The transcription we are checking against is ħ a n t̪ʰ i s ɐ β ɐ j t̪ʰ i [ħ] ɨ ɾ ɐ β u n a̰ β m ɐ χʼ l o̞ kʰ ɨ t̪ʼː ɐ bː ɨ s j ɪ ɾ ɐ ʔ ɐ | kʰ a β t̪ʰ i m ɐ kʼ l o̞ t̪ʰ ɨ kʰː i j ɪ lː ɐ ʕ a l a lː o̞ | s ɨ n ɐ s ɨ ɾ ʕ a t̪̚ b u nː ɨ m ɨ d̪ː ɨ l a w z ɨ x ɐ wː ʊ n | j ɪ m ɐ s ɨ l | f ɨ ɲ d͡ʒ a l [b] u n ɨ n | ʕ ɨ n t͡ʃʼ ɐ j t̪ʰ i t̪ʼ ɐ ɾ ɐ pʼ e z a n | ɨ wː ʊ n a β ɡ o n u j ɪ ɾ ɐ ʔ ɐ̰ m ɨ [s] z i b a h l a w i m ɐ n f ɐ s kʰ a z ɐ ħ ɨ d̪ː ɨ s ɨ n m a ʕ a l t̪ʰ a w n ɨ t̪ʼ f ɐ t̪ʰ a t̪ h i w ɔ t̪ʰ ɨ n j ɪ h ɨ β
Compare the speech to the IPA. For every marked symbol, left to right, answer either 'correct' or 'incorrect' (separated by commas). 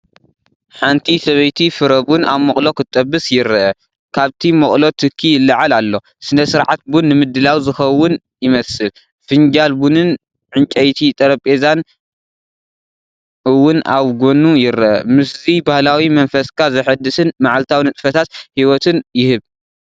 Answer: incorrect, correct, correct